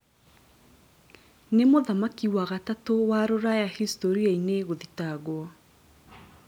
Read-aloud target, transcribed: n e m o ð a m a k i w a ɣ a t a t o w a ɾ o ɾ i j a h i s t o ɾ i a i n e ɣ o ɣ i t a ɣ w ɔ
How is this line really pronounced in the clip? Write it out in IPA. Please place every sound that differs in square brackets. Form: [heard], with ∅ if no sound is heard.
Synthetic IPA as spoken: n e m o ð a m a k i w a ɣ a t a t o w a ɾ o ɾ [a] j a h i s t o ɾ i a i n e ɣ o [ð] i t a ɣ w ɔ